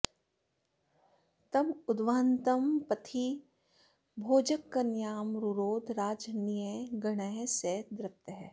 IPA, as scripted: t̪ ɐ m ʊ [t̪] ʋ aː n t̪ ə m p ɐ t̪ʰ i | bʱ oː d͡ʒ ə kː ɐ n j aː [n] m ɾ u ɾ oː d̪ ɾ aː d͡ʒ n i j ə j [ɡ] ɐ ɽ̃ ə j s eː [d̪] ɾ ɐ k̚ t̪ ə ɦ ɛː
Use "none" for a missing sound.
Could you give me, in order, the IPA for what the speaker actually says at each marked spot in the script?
d̪, none, ɡ, d̪

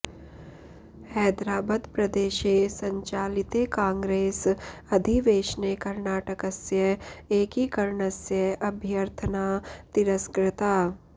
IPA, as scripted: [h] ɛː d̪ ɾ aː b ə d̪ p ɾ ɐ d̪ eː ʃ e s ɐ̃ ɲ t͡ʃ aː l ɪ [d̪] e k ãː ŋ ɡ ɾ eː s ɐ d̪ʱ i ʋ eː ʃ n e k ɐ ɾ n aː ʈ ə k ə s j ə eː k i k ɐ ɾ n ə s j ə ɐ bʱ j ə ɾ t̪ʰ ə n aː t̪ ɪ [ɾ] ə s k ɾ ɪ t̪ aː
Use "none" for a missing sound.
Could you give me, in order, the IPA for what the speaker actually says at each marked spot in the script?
h, t̪, ɾ

